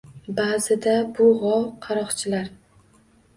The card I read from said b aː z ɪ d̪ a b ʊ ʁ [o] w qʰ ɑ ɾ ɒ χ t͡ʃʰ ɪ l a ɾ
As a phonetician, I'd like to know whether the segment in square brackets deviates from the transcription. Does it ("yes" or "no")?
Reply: yes